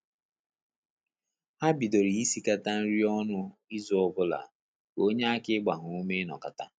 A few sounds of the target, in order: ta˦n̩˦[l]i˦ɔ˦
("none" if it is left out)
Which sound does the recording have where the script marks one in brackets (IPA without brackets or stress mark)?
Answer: ɾ